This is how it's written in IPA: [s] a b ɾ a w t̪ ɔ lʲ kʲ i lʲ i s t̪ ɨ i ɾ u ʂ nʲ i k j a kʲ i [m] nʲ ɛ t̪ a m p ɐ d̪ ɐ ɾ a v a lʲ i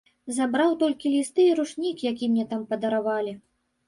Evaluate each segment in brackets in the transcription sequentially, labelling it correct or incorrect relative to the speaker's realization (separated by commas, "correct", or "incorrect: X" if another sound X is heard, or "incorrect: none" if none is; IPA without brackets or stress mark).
incorrect: z, correct